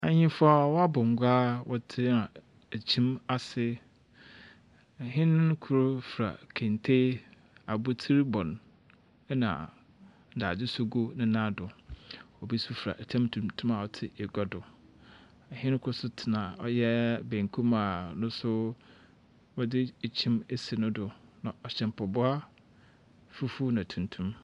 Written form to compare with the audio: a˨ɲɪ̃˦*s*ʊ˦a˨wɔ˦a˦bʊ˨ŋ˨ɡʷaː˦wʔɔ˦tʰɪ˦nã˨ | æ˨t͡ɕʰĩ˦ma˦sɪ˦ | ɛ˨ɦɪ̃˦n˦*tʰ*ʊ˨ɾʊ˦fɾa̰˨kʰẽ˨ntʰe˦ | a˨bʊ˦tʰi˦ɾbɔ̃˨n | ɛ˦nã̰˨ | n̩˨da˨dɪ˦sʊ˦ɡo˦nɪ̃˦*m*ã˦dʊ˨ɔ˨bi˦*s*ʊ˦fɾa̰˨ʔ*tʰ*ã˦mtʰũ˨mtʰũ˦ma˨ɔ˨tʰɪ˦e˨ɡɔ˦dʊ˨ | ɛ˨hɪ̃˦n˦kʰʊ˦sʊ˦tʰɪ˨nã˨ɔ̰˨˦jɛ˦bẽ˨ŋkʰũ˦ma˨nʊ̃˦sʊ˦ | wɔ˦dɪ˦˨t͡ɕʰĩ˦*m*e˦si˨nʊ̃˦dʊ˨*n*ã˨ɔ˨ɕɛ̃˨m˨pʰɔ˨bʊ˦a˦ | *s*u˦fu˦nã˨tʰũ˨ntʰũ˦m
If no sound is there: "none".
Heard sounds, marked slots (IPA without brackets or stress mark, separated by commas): f, kʰ, n, s, tʰ, m, n, f